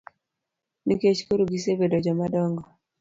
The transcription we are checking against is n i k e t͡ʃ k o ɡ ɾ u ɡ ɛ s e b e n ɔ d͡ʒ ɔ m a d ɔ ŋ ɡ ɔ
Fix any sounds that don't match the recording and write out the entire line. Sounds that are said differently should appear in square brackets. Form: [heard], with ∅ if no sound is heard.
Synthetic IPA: n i k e t͡ʃ k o [∅] ɾ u ɡ [i] s e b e [d] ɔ d͡ʒ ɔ m a d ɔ ŋ ɡ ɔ